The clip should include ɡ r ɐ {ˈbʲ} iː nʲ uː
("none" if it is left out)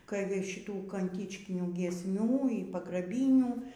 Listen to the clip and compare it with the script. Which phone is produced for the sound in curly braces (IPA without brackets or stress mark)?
bʲ